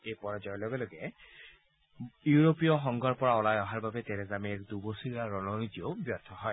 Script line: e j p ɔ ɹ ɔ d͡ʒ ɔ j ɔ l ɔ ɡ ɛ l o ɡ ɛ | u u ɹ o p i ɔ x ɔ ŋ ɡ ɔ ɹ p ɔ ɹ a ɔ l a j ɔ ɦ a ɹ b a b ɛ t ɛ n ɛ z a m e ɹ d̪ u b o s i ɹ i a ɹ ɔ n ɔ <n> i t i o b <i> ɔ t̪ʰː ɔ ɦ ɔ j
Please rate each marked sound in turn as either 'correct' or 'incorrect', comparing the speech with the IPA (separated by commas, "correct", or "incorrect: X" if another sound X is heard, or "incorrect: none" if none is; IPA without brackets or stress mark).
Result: correct, incorrect: j